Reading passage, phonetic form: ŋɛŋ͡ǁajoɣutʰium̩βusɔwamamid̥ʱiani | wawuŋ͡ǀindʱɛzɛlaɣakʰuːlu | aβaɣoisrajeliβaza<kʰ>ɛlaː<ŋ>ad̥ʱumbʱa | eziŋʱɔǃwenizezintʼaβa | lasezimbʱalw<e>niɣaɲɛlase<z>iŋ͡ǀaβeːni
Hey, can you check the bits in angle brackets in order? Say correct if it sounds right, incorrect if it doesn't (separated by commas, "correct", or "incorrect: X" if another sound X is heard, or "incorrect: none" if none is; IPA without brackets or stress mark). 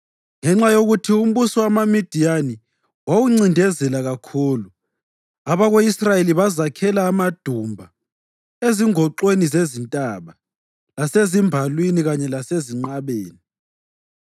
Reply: correct, incorrect: m, incorrect: i, correct